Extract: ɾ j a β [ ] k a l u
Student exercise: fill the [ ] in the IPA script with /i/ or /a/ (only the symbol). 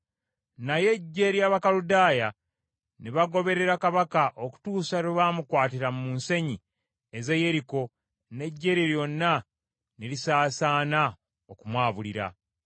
a